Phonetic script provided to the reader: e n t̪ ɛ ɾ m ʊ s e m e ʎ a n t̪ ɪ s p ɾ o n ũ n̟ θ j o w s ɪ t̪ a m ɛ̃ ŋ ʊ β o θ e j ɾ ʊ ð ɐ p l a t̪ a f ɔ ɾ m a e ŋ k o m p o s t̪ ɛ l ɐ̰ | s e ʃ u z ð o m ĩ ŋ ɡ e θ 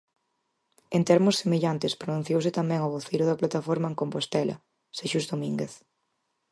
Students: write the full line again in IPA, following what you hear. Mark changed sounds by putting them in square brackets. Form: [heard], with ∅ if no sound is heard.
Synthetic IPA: e n t̪ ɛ ɾ m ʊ s e m e ʎ a n t̪ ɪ s p ɾ o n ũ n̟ θ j o w s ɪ t̪ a m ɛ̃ ŋ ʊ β o θ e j ɾ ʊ ð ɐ p l a t̪ a f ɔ ɾ m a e ŋ k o m p o s t̪ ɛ l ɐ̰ | s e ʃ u z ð o m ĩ ŋ ɡ e θ